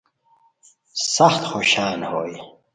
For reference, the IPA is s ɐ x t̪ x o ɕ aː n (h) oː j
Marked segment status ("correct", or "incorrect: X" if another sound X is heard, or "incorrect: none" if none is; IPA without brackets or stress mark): correct